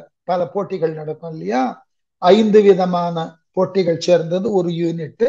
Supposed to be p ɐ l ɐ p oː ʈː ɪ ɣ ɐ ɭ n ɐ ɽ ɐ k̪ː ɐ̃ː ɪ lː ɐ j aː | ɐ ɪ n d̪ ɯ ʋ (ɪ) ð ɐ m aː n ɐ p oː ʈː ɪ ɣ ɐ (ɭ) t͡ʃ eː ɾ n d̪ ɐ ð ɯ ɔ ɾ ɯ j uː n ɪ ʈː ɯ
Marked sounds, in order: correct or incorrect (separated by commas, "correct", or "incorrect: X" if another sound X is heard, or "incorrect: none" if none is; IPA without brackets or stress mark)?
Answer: correct, correct